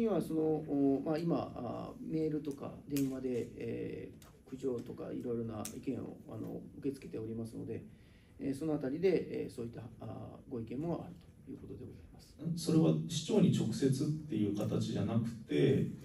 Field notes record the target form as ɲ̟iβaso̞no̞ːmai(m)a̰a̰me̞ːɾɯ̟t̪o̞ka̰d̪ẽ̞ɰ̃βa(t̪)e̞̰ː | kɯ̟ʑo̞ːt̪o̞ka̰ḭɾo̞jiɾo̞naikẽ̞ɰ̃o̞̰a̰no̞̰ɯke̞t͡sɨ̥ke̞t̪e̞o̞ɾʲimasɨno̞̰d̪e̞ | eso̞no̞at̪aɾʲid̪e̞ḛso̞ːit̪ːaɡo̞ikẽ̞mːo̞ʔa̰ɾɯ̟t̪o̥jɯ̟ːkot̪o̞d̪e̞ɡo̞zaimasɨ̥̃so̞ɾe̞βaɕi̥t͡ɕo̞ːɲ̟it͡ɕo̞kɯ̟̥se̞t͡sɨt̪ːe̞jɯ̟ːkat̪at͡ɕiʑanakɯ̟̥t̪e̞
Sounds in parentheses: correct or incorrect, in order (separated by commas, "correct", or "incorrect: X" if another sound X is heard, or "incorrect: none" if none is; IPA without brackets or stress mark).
correct, incorrect: d̪